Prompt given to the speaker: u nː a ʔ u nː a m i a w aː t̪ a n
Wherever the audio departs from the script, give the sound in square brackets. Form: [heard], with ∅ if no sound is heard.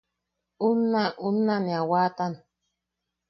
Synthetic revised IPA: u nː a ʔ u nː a [n] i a w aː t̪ a n